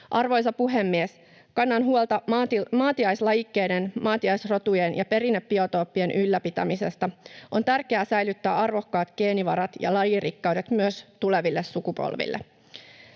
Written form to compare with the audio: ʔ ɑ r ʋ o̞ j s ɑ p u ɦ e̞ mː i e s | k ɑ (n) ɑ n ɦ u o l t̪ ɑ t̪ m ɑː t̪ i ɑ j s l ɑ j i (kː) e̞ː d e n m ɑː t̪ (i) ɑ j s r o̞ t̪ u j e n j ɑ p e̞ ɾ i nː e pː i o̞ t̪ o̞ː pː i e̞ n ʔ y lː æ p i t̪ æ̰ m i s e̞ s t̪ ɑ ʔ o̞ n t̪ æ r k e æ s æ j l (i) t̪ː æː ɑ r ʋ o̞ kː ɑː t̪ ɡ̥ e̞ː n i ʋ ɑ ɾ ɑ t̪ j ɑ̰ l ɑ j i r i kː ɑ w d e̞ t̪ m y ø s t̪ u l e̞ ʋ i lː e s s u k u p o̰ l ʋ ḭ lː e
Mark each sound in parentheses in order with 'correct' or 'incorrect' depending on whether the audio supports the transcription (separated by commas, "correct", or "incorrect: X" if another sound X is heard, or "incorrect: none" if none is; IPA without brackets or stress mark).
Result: incorrect: nː, correct, correct, incorrect: y